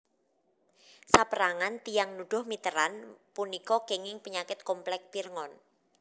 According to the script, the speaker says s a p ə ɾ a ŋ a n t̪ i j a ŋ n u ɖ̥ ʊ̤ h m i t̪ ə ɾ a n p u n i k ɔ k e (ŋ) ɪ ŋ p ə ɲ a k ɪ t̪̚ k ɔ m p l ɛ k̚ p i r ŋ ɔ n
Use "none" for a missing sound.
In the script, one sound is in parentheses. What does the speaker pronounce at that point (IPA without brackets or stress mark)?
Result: ŋ